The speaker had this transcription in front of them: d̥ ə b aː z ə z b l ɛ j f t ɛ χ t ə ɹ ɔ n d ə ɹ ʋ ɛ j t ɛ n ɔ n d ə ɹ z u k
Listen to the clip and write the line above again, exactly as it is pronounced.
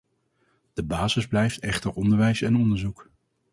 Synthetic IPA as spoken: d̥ ə b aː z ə z b l ɛ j f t ɛ χ t ə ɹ ɔ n d ə ɹ ʋ ɛ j s ɛ n ɔ n d ə ɹ z u k